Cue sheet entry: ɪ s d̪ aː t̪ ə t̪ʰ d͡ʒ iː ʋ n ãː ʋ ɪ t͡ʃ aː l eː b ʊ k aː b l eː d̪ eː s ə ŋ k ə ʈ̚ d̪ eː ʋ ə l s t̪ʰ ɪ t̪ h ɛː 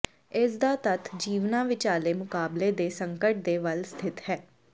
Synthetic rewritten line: ɪ s d̪ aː t̪ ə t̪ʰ d͡ʒ iː ʋ n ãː ʋ ɪ t͡ʃ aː l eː m ʊ k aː b l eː d̪ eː s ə ŋ k ə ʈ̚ d̪ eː ʋ ə l s t̪ʰ ɪ t̪ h ɛː